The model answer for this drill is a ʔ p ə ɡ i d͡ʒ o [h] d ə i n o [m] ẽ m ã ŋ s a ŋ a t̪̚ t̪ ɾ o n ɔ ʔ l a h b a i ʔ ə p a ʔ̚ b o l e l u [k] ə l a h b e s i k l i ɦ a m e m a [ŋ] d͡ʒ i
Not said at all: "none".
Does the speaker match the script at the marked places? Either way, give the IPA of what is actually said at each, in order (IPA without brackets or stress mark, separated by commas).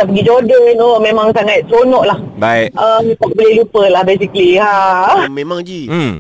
none, m, p, ŋ